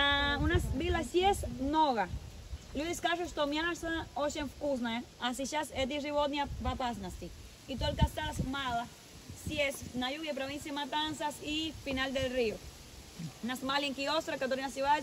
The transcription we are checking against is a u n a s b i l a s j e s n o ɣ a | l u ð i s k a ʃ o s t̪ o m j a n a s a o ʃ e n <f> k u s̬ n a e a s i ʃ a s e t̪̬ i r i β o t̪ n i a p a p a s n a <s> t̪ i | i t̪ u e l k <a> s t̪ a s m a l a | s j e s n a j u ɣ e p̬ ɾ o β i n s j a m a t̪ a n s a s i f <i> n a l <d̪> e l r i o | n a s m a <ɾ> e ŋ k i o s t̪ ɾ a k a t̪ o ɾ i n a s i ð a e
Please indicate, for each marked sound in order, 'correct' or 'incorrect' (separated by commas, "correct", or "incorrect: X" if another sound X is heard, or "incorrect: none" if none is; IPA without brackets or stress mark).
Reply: correct, correct, correct, correct, correct, incorrect: l